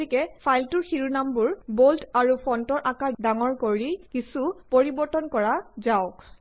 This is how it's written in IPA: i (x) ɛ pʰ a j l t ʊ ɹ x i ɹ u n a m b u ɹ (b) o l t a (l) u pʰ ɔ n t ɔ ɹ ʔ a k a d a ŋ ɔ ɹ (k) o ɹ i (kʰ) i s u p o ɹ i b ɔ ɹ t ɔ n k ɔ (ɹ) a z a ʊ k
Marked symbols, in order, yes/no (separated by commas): no, yes, no, yes, no, yes